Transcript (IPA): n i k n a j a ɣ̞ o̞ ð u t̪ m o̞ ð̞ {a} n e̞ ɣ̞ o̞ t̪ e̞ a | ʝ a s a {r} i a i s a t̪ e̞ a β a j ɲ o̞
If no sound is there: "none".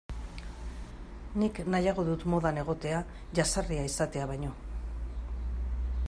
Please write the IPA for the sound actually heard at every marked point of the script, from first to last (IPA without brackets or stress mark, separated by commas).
a, r